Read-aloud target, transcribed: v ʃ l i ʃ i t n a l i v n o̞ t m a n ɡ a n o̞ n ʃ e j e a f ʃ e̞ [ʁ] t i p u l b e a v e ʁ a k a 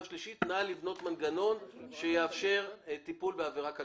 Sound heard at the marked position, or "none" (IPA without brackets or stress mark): ʁ